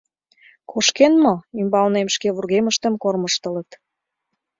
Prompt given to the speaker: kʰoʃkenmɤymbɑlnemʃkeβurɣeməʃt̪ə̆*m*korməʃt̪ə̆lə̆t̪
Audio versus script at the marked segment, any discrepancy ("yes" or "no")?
no